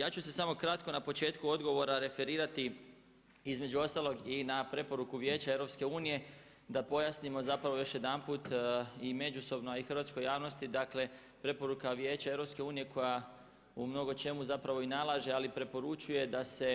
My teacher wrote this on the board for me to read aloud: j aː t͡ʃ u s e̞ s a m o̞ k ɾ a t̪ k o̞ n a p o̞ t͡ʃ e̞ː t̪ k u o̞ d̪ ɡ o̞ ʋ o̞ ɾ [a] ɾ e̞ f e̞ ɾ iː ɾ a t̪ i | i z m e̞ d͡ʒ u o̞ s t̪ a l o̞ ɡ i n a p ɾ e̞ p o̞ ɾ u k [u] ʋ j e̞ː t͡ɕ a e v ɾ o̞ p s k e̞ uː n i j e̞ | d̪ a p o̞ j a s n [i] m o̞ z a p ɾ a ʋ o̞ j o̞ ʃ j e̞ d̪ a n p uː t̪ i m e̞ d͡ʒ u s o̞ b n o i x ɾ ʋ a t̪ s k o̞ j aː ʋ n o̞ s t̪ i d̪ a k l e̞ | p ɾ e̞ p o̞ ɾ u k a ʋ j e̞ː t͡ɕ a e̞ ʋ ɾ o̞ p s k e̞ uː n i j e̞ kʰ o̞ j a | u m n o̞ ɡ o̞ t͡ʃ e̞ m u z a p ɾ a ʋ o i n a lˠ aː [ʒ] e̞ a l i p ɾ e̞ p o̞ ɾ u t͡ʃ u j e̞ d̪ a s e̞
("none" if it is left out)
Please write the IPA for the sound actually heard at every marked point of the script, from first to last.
a, u, i, ʒ

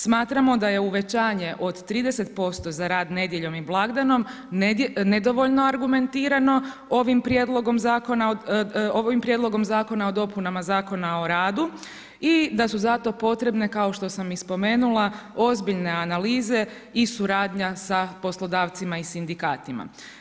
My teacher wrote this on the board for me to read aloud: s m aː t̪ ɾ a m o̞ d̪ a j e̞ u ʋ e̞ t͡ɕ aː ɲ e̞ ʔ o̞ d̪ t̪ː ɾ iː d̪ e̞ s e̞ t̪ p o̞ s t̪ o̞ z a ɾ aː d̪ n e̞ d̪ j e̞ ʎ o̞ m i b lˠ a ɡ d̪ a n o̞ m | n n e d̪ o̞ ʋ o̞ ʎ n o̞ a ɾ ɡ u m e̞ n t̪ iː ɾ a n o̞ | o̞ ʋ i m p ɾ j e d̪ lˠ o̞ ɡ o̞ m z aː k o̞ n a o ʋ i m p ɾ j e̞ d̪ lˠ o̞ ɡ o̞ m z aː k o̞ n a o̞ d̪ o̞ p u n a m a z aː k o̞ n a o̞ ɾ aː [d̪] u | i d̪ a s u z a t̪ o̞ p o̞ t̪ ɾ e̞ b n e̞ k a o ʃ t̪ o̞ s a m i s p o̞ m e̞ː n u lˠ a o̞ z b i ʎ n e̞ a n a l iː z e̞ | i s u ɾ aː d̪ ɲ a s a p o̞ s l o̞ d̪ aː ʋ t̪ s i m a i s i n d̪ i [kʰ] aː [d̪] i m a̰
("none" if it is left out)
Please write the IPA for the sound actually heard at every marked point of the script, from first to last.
d̪, k, t̪

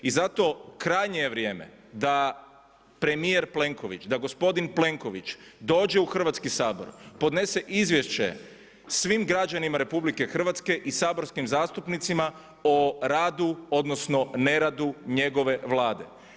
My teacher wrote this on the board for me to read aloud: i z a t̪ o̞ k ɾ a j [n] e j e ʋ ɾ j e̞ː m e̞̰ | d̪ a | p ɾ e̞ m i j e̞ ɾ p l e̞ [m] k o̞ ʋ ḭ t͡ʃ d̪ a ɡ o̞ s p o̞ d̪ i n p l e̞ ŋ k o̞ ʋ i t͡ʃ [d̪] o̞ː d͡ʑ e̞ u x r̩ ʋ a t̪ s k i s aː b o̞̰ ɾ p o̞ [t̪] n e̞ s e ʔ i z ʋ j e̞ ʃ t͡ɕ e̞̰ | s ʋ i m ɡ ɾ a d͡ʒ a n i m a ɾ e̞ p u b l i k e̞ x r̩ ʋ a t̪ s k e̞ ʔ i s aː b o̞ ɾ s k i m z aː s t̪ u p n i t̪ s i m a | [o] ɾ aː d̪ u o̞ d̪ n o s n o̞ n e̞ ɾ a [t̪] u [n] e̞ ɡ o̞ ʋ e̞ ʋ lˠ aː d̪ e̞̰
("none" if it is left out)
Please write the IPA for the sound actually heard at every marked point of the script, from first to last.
ɲ, ŋ, d̪, d̪, o, d̪, ɲ

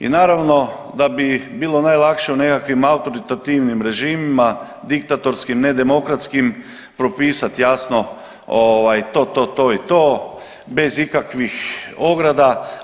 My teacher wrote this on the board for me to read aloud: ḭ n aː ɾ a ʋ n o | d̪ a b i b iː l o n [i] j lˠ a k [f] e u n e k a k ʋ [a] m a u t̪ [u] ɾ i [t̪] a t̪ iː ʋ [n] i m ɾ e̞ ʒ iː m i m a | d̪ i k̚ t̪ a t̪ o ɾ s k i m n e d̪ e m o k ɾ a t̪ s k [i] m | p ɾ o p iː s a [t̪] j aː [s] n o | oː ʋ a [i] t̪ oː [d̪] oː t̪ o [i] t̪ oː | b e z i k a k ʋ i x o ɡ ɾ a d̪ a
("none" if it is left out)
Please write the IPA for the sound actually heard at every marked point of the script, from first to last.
a, ʃ, i, o, t̪, n, i, t̪, s, j, t̪, i

